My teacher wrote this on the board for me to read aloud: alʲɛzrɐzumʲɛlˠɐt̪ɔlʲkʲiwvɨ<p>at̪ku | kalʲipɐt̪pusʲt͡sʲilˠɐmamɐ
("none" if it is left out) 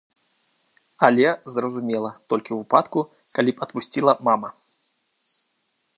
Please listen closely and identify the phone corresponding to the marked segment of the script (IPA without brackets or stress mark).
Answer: p